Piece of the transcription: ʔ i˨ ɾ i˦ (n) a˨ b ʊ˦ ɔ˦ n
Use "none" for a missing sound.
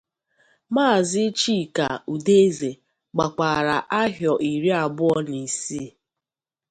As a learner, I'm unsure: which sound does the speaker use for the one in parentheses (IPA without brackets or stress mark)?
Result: none